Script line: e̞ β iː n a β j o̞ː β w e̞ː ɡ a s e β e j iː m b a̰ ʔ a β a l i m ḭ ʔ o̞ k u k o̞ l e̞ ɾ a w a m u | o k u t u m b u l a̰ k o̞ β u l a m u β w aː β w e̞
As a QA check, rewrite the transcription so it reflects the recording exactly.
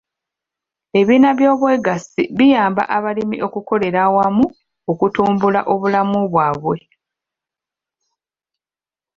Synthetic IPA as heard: e̞ β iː n a β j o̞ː β w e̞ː ɡ a s i β i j aː m b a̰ ʔ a β a l i m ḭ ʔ o̞ k u k o̞ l e̞ ɾ a w a m u | o k u t uː m b u l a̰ ʔ o̞ β u l a m u β w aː β w e̞